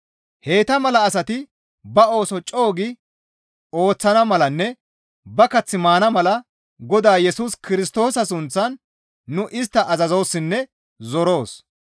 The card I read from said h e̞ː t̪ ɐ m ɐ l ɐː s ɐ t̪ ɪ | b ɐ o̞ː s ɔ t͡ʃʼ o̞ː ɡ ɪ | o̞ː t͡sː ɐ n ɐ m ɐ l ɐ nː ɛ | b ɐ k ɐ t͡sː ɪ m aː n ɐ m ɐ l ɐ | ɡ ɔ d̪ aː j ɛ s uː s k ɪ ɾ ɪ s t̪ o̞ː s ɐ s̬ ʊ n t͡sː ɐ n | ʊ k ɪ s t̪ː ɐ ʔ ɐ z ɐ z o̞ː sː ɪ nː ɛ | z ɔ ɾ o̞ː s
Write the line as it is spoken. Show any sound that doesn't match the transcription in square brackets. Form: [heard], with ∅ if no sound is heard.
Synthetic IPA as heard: h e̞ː t̪ ɐ m ɐ l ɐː s ɐ t̪ ɪ | b ɐ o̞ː s ɔ t͡ʃʼ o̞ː ɡ ɪ | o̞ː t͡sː ɐ n ɐ m ɐ l ɐ nː ɛ | b ɐ k ɐ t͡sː ɪ m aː n ɐ m ɐ l ɐ | ɡ ɔ d̪ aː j ɛ s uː s k ɪ ɾ ɪ s t̪ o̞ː s ɐ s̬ ʊ n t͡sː ɐ [nː] | ʊ [ʔ] ɪ s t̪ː ɐ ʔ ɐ z ɐ z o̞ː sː ɪ nː ɛ | z ɔ ɾ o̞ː s